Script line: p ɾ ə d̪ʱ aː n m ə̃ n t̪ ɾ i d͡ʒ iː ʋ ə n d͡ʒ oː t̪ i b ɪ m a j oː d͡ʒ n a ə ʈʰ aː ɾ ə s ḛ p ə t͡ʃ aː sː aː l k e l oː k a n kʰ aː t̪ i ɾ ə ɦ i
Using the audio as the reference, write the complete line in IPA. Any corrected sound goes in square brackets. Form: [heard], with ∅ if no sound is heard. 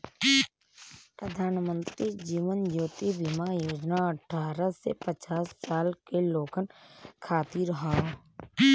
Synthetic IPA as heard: p ɾ ə d̪ʱ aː n m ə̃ n t̪ ɾ i d͡ʒ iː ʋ ə n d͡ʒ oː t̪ i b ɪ m a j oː d͡ʒ n a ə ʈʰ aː ɾ ə s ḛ p ə t͡ʃ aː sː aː l k e l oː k [ə] n kʰ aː t̪ i ɾ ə ɦ [a]